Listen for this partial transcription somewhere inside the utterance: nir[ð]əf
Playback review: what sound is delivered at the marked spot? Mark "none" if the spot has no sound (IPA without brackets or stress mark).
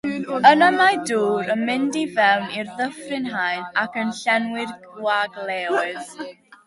ð